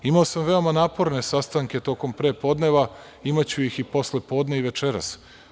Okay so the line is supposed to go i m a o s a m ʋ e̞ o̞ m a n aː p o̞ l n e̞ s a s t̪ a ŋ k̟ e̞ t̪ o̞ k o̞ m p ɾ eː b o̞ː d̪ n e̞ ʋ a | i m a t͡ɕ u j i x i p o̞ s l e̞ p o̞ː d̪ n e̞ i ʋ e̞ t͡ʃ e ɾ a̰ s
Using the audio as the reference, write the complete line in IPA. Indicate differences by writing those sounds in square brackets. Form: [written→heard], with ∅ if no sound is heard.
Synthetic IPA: i m a o s a m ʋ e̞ o̞ m a n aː p o̞ [l→ɾ] n e̞ s a s t̪ a ŋ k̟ e̞ t̪ o̞ k o̞ m p ɾ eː [b→p] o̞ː d̪ n e̞ ʋ a | i m a t͡ɕ u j i x i p o̞ s l e̞ p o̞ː d̪ n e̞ i ʋ e̞ t͡ʃ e ɾ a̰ s